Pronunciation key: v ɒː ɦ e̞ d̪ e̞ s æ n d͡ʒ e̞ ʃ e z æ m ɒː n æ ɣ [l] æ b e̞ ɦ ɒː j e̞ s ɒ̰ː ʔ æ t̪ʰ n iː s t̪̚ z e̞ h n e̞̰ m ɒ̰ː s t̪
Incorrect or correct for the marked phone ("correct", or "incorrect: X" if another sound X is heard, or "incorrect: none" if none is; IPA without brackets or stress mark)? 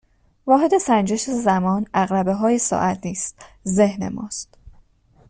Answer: incorrect: ɾ